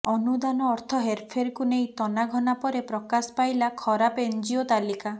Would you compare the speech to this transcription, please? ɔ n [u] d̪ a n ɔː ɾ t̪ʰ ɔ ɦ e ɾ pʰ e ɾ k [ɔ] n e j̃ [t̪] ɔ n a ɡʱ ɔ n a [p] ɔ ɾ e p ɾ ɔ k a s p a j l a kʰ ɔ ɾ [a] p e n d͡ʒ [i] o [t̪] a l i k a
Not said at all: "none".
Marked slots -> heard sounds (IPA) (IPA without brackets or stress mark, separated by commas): u, u, t̪, p, a, i, t̪